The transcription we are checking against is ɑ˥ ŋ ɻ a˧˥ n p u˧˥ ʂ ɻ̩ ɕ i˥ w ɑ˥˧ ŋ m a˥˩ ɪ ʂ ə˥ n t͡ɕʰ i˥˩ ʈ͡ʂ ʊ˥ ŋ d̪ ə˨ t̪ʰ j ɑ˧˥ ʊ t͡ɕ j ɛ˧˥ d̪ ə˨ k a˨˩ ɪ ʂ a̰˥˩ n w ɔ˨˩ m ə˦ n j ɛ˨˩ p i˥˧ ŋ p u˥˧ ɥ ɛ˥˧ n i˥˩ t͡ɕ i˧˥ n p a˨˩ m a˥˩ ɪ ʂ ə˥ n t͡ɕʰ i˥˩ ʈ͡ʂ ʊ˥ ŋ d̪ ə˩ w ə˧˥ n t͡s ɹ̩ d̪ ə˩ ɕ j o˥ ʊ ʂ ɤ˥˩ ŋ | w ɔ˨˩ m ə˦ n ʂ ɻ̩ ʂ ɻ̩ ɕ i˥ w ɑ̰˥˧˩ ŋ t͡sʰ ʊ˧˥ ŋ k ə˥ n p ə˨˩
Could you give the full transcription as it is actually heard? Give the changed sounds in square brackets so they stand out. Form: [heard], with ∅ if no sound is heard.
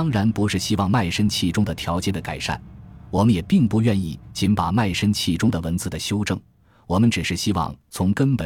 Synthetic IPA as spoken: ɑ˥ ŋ ɻ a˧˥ n p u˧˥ ʂ ɻ̩ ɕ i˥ w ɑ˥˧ ŋ m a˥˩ ɪ ʂ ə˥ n t͡ɕʰ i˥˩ ʈ͡ʂ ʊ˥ ŋ d̪ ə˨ t̪ʰ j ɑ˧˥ ʊ t͡ɕ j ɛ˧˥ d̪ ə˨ k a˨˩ ɪ ʂ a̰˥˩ n w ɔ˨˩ m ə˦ n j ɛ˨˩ p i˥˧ ŋ p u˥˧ ɥ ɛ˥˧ n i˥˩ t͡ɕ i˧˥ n p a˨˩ m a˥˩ ɪ ʂ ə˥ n t͡ɕʰ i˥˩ ʈ͡ʂ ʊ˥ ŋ d̪ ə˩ w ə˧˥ n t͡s ɹ̩ d̪ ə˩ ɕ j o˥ ʊ [ʈ͡ʂ] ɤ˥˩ ŋ | w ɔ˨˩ m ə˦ n [ʈ͡ʂ] ɻ̩ ʂ ɻ̩ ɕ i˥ w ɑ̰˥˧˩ ŋ t͡sʰ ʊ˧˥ ŋ k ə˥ n p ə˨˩